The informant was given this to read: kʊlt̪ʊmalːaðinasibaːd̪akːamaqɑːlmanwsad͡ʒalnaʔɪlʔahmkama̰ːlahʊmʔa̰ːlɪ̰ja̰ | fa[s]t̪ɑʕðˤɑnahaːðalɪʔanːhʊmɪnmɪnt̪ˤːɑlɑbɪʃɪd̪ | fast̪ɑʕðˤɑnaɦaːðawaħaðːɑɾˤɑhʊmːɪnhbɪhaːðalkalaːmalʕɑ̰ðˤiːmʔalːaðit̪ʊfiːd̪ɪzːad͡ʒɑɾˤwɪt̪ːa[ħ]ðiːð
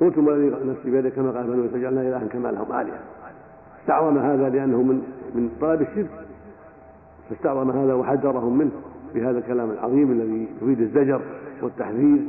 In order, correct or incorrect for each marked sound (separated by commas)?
correct, correct